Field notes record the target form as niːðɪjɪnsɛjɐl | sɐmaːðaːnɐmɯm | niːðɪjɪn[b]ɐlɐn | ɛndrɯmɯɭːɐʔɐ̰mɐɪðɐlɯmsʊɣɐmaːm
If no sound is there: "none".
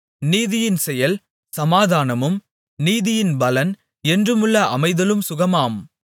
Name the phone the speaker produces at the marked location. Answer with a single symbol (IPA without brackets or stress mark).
b